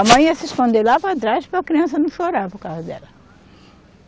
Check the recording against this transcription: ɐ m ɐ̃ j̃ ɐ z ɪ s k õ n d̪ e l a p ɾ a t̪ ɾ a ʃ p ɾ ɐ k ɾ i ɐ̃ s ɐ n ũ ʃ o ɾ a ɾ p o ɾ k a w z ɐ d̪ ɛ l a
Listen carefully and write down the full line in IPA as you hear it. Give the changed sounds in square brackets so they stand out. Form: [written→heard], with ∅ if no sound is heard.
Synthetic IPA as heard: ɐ m ɐ̃ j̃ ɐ [z→s] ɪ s k õ n d̪ e l a p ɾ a t̪ ɾ a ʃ p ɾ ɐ k ɾ i ɐ̃ s ɐ n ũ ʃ o ɾ a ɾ p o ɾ k a w z ɐ d̪ ɛ l [a→ɐ]